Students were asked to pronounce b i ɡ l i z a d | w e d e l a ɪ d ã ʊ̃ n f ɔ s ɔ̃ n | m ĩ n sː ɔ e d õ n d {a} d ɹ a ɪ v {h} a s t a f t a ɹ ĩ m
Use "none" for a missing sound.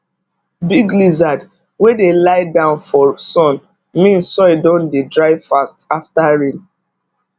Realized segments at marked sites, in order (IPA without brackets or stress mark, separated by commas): e, f